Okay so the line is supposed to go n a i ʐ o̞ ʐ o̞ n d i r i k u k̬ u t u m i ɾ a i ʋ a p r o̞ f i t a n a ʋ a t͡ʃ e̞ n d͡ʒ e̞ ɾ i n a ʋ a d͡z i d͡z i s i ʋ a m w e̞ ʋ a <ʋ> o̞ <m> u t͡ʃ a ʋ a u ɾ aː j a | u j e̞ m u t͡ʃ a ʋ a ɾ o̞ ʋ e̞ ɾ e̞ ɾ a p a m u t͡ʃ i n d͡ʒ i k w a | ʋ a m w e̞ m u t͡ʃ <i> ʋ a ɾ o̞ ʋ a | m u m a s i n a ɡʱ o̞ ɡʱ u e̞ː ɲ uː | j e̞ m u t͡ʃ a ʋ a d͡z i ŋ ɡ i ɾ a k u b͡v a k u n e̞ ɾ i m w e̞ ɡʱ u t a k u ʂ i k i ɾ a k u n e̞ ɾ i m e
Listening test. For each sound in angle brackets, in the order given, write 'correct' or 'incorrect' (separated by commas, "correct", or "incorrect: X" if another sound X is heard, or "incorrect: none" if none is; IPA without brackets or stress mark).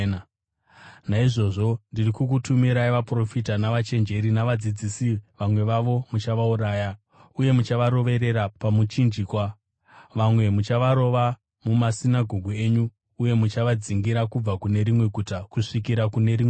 correct, correct, incorrect: a